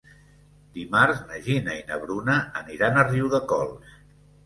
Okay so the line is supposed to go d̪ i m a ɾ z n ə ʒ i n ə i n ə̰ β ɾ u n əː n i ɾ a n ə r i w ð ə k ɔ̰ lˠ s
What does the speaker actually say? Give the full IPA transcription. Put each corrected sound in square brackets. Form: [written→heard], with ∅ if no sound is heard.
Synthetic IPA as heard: d̪ i m a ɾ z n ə ʒ i n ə i n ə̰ β ɾ u n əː n i ɾ a n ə r i w ð ə k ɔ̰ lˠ s